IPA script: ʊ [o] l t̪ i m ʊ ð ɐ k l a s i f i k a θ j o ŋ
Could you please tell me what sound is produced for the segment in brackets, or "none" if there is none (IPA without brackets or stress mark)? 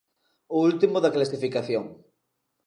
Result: u